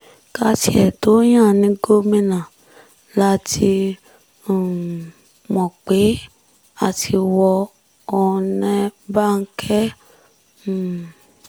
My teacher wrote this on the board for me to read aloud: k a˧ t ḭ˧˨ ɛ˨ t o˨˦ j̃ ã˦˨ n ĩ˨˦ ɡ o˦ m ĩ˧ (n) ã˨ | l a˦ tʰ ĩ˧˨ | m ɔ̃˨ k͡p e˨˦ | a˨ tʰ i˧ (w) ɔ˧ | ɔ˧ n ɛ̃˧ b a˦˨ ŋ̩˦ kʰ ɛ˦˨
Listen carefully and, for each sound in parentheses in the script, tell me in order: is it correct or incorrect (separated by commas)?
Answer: correct, correct